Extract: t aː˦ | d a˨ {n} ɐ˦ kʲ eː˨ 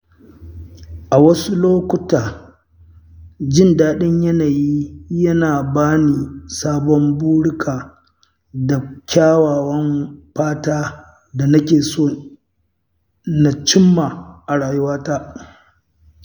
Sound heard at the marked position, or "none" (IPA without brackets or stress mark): n